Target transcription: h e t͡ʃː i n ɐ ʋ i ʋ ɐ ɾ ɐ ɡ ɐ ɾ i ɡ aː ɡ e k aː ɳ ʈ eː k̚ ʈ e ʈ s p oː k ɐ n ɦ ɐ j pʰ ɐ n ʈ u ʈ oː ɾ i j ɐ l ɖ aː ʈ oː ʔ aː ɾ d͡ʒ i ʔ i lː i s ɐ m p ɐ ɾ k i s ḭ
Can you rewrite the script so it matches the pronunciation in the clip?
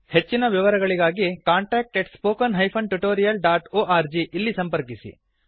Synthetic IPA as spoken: h e t͡ʃː i n ɐ ʋ i ʋ ɐ ɾ ɐ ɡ ɐ ɭ i ɡ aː ɡ i k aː ɳ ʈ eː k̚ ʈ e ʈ s p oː k ɐ n ɦ ɐ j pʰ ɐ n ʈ u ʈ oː ɾ i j ɐ l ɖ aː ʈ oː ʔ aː ɾ d͡ʒ i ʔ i lː i s ɐ m p ɐ ɾ k i s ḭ